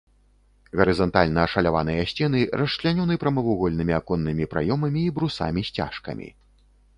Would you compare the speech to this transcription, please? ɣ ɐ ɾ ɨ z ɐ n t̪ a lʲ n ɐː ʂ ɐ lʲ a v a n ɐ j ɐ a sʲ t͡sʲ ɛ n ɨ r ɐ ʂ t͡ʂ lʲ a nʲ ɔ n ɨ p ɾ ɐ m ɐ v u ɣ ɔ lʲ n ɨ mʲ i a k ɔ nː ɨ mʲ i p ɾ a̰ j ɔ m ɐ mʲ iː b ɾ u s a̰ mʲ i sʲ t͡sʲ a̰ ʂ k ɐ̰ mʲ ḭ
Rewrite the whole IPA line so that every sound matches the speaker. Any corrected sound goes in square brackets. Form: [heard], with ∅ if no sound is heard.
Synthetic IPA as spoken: ɣ ɐ ɾ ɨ z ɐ n t̪ a lʲ n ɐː ʂ ɐ lʲ a v a n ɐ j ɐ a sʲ t͡sʲ ɛ n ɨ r ɐ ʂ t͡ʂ lʲ a nʲ ɔ n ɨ p ɾ ɐ m ɐ v u ɣ ɔ lʲ n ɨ mʲ i a k ɔ nː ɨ mʲ i p ɾ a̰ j ɔ m ɐ mʲ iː b ɾ u s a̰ mʲ i sʲ t͡sʲ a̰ ʂ k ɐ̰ mʲ ḭ